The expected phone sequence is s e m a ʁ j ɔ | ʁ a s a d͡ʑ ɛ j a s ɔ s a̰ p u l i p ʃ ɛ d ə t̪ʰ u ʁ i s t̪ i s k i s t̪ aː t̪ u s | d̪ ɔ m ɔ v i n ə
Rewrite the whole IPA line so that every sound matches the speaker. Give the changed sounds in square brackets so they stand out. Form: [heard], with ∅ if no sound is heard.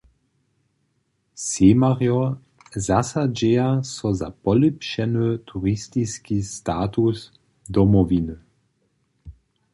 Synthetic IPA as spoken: s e m a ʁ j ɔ | [z] a s a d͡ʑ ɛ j a s ɔ [z] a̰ p [ɔ] l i p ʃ ɛ [n] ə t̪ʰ u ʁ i s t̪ i s k i s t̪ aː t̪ u s | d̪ ɔ m ɔ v i n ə